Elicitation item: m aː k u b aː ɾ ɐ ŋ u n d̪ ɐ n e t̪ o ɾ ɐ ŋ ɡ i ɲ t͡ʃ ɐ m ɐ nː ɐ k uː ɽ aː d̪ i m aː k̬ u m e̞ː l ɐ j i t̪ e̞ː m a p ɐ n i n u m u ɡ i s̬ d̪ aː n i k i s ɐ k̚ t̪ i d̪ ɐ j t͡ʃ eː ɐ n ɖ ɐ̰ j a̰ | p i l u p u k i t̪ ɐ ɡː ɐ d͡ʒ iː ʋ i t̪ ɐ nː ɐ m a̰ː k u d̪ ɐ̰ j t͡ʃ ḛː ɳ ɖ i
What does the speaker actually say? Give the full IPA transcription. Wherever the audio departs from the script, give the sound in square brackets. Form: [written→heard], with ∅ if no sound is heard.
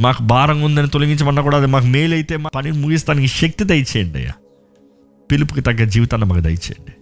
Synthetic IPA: m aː k u b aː ɾ ɐ ŋ u n d̪ ɐ n [e→i] t̪ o [ɾ→l] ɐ ŋ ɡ i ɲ t͡ʃ ɐ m ɐ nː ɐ k uː ɽ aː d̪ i m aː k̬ u m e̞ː l ɐ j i t̪ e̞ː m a p ɐ n i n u m u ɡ i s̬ [d̪→t̪] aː n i k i [s→ʃ] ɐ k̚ t̪ i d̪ ɐ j t͡ʃ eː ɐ [n→ɳ] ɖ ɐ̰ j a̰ | p i l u p u k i t̪ ɐ ɡː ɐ d͡ʒ iː ʋ i t̪ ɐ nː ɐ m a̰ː k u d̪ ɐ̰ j t͡ʃ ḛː ɳ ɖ i